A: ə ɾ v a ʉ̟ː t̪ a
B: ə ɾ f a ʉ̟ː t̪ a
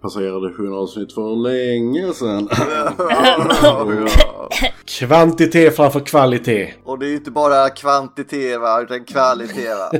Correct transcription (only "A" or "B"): A